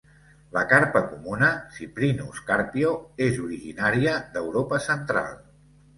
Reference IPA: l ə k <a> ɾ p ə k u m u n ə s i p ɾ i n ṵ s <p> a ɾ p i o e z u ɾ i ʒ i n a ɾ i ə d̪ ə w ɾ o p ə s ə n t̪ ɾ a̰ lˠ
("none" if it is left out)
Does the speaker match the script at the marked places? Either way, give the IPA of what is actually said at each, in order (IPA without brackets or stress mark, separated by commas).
a, k